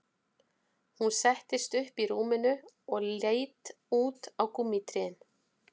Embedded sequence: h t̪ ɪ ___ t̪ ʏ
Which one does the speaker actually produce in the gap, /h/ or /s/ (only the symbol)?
s